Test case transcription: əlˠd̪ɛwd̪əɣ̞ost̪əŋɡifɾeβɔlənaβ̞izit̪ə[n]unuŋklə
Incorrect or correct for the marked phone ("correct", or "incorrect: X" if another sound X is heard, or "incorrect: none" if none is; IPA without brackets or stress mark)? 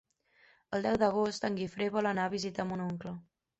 incorrect: m